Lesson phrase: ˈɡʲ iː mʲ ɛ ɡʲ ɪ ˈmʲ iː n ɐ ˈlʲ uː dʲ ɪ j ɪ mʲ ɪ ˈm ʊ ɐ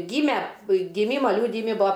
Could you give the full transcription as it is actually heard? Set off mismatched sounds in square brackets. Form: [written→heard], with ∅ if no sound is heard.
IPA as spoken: ˈɡʲ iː mʲ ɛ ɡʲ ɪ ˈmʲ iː [n→m] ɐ ˈlʲ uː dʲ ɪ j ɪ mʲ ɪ [ˈm→ˈb] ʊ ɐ